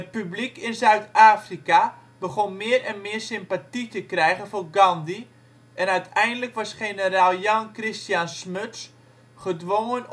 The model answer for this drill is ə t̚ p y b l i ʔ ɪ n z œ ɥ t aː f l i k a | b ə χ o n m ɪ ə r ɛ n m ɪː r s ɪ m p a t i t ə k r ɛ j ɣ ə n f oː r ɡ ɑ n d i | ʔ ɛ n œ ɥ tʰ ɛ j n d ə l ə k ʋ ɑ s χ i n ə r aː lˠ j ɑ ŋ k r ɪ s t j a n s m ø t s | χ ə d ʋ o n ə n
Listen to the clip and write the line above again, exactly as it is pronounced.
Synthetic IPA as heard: ə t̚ p y b l i k ɪ n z œ ɥ t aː f r i k a | b ə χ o n m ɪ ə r ɛ n m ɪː r s ɪ m p a t i t ə k r ɛ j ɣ ə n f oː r ɡ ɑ n d i | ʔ ɛ n œ ɥ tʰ ɛ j n d ə l ə k ʋ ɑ s χ e n ə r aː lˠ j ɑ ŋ k r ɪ s t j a n s m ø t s | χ ə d ʋ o ŋ ə n